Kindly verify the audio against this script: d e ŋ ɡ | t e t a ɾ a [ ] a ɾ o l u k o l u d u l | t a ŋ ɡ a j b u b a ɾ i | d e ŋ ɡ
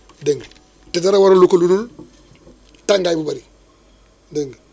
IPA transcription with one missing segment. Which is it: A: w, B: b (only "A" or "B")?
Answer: A